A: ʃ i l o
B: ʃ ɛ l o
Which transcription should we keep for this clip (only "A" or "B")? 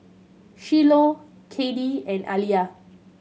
A